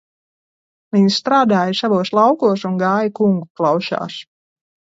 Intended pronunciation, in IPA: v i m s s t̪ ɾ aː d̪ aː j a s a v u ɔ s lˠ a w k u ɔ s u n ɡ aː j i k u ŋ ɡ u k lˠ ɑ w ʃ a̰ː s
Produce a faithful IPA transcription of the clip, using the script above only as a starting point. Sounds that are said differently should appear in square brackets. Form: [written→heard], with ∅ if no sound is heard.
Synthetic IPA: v i [m→ɲ] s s t̪ ɾ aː d̪ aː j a s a v u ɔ s lˠ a w k u ɔ s u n ɡ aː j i k u ŋ ɡ u k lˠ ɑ w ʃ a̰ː s